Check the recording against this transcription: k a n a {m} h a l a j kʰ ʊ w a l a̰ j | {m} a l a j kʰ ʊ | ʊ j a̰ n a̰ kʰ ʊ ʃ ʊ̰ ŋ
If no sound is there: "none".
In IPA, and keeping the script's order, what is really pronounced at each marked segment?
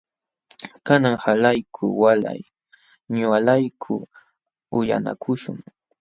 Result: ŋ, ɲ

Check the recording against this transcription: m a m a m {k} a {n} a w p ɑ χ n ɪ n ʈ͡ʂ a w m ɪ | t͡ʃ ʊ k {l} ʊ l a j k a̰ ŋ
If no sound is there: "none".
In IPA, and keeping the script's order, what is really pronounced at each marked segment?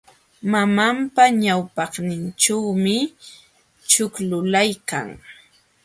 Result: p, ɲ, l

